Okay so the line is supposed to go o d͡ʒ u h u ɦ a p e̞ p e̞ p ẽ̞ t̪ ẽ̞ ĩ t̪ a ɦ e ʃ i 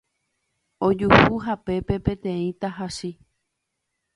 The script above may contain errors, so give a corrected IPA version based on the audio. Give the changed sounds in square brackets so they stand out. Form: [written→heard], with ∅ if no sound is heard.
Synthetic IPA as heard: o d͡ʒ u h u ɦ a p e̞ p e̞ p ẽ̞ t̪ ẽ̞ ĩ t̪ a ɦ [e→a] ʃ i